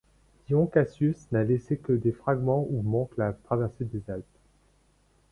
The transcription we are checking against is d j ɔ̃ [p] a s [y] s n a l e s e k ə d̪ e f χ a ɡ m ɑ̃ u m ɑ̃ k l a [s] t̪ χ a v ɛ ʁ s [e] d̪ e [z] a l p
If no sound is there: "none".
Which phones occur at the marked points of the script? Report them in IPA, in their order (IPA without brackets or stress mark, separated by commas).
k, y, none, e, z